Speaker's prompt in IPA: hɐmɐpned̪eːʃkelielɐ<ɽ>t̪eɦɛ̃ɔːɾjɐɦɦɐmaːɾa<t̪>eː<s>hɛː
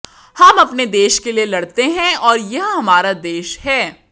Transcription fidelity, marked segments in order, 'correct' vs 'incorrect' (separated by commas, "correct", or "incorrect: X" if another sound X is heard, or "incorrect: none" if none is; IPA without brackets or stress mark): correct, incorrect: d̪, incorrect: ʃ